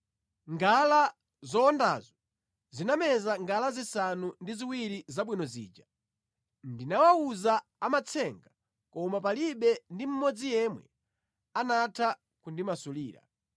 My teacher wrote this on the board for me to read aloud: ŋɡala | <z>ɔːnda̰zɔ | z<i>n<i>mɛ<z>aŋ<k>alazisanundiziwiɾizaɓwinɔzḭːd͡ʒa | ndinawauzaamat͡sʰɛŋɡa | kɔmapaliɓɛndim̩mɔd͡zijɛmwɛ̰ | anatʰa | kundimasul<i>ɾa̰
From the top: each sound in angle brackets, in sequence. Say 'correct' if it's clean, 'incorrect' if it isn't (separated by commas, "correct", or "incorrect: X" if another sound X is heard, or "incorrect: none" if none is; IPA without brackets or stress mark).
correct, correct, incorrect: a, correct, incorrect: ɡ, incorrect: iː